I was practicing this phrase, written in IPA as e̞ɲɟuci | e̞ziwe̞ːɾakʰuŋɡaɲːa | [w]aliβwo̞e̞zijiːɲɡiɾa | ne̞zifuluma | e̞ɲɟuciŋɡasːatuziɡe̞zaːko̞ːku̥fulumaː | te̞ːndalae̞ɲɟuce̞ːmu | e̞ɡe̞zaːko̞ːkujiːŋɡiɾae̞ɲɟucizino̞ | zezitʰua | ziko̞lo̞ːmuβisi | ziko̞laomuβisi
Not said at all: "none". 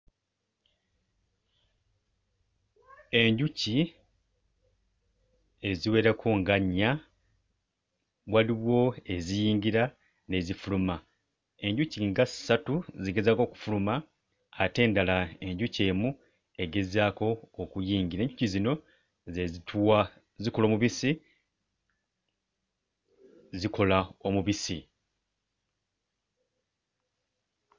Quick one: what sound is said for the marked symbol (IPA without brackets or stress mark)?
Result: w